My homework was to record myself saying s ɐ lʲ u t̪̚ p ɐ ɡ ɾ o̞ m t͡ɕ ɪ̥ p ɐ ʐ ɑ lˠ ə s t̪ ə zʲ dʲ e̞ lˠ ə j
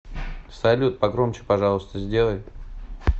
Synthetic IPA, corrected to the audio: s ɐ lʲ u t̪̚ p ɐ ɡ ɾ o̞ m t͡ɕ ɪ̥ p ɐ ʐ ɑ lˠ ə s t̪ ə zʲ dʲ e̞ lˠ ə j

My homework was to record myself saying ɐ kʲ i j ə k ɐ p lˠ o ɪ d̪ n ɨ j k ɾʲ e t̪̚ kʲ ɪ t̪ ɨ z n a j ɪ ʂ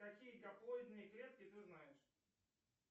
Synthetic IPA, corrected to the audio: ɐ kʲ i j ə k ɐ p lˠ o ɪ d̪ n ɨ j k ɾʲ e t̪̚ kʲ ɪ t̪ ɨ z n a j ɪ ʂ

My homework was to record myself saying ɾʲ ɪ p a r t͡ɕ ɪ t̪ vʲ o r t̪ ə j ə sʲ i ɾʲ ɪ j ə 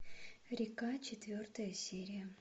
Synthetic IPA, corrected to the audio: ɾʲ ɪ k a t͡ɕ ɪ t̪ vʲ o r t̪ ə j ə sʲ e ɾʲ ɪ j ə

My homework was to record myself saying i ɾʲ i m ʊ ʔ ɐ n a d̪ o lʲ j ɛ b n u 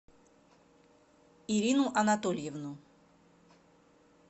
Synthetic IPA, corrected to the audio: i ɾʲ i n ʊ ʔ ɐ n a t̪ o lʲ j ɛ v n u

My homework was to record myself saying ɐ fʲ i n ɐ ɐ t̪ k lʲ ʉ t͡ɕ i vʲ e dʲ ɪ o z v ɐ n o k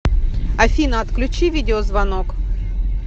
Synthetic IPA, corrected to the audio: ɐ fʲ i n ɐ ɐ t̪ k lʲ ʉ t͡ɕ i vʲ i dʲ ɪ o z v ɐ n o k

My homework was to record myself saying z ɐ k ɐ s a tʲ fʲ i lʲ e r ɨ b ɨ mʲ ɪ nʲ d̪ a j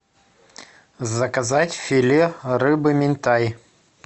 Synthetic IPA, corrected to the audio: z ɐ k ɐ z a tʲ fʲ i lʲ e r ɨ b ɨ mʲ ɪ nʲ t̪ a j

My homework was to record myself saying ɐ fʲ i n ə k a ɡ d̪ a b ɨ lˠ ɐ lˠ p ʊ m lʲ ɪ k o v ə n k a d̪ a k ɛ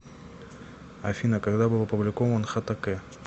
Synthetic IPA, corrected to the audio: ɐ fʲ i n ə k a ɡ d̪ a b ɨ lˠ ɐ p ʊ b lʲ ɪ k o v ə n x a t̪ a k ɛ

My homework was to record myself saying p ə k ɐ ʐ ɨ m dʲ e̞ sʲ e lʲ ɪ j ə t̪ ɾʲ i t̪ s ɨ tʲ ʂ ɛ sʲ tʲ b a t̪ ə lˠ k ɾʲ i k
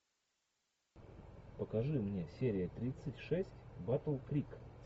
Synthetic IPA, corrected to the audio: p ə k ɐ ʐ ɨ m nʲ e̞ sʲ e ɾʲ ɪ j ə t̪ ɾʲ i t̪ s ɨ tʲ ʂ ɛ sʲ tʲ b a t̪ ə lˠ k ɾʲ i k

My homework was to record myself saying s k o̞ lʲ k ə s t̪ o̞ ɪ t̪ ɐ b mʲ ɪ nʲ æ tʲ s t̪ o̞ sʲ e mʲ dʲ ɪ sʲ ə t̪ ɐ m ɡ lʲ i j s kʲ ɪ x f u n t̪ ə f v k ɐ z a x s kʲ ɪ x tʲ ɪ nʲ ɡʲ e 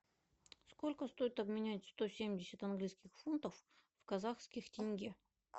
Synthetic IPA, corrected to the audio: s k o̞ lʲ k ə s t̪ o̞ ɪ t̪ ɐ b mʲ ɪ nʲ æ tʲ s t̪ o̞ sʲ e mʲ dʲ ɪ sʲ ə t̪ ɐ n ɡ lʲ i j s kʲ ɪ x f u n t̪ ə f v k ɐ z a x s kʲ ɪ x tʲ ɪ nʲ ɡʲ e

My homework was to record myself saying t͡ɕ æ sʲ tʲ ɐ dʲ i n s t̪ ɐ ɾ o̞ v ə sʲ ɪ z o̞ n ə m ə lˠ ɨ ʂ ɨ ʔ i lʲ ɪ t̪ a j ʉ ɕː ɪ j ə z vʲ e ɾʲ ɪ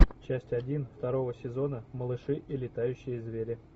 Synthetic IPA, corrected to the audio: t͡ɕ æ sʲ tʲ ɐ dʲ i n f t̪ ɐ ɾ o̞ v ə sʲ ɪ z o̞ n ə m ə lˠ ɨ ʂ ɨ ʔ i lʲ ɪ t̪ a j ʉ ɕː ɪ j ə z vʲ e ɾʲ ɪ

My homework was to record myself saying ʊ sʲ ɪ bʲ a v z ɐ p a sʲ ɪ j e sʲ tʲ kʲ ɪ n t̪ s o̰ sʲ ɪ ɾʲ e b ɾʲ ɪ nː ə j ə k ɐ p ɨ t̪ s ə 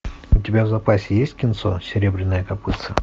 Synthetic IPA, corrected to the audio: ʊ tʲ ɪ bʲ a v z ɐ p a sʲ ɪ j e sʲ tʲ kʲ ɪ n t̪ s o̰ sʲ ɪ ɾʲ e b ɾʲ ɪ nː ə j ə k ɐ p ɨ t̪ s ə

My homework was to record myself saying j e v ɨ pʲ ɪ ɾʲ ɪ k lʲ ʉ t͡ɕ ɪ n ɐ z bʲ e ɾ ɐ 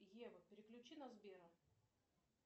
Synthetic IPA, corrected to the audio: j e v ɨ pʲ ɪ ɾʲ ɪ k lʲ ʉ t͡ɕ i n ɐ z bʲ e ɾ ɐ

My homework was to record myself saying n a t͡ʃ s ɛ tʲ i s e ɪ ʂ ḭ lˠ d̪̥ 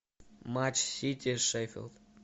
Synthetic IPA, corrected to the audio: m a t͡ʃ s i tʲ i ʃ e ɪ f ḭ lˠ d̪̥

